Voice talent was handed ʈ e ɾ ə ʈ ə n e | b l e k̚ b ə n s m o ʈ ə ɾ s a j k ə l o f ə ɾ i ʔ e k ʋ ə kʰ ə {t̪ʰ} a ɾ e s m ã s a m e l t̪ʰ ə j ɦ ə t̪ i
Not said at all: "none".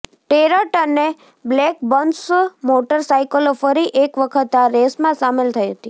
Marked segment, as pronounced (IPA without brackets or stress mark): t̪